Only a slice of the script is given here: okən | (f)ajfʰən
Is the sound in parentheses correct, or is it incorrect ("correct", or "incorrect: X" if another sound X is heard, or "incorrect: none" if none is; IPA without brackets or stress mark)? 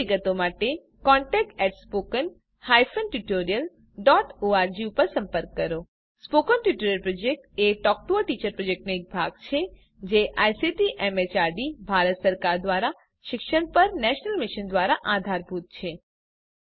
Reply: incorrect: h